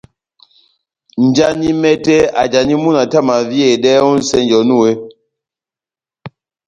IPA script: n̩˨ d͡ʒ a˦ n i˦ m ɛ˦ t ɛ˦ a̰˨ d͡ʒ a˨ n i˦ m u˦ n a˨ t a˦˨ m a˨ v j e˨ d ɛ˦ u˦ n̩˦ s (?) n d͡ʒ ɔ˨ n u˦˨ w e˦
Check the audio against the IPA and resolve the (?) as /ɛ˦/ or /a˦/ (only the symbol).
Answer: ɛ˦